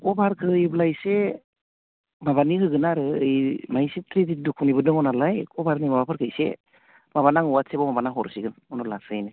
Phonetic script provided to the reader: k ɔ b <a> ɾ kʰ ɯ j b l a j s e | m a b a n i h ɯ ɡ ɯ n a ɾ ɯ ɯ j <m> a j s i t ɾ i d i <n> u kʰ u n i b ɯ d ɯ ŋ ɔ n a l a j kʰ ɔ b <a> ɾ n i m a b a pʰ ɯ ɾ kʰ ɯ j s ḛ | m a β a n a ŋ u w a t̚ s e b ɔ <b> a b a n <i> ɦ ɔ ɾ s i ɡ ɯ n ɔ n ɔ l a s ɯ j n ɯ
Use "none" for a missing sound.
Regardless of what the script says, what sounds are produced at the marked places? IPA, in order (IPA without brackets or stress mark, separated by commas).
a, m, d, a, m, a